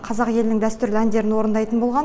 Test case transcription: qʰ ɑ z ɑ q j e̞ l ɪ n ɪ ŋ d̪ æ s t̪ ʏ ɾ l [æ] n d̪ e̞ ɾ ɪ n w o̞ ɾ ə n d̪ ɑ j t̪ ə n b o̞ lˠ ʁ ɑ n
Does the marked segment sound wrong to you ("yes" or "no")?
no